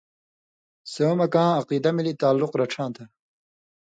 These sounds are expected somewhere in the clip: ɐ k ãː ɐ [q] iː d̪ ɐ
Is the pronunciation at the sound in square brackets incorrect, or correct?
correct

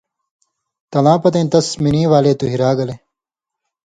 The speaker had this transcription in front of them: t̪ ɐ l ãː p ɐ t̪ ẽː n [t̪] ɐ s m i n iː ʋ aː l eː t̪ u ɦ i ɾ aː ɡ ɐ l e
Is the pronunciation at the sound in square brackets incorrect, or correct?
correct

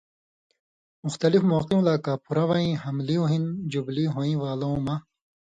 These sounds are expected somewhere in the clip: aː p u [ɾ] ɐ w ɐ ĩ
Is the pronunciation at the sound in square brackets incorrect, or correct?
correct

